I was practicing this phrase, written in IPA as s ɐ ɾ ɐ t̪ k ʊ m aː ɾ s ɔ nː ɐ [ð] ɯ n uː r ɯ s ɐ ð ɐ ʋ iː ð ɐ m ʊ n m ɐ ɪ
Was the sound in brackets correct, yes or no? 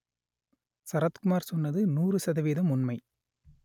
yes